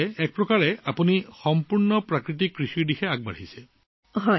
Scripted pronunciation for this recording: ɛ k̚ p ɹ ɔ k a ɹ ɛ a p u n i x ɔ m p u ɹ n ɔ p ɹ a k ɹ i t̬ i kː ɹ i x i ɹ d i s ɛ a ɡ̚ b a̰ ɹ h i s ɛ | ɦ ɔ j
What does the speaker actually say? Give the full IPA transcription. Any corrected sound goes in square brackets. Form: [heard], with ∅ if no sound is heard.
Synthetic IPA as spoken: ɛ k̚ p ɹ ɔ k a ɹ ɛ a p u n i x ɔ m p u ɹ n ɔ p ɹ a k ɹ i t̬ i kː ɹ i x i ɹ d i [x] ɛ a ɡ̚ b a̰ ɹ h i s ɛ | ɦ ɔ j